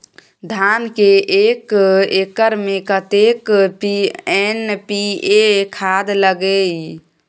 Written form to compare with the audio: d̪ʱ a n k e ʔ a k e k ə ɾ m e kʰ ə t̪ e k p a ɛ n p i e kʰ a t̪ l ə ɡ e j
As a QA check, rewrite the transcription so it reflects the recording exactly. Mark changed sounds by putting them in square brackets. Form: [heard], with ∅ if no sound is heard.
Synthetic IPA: d̪ʱ a n k e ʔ [e] k e k ə ɾ m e [k] ə t̪ e k p [i] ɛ n p i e kʰ a [d̪] l ə ɡ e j